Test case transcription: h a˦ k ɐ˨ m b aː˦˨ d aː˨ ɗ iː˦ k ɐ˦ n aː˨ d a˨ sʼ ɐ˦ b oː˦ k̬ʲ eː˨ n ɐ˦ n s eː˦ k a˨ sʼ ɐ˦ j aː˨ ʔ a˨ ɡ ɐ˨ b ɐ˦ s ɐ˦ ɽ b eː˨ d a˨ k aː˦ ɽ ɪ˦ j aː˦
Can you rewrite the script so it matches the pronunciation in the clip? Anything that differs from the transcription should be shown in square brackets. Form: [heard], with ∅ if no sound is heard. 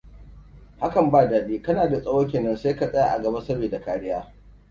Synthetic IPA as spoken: h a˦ k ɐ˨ m b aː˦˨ d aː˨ ɗ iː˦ k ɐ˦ n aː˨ d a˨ sʼ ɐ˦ [w] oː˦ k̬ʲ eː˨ n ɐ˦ n s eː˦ k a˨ sʼ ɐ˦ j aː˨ ʔ a˨ ɡ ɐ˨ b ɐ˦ s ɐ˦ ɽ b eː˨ d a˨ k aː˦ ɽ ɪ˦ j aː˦